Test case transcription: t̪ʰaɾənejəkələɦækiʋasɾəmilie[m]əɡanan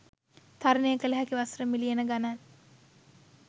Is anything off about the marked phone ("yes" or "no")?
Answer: yes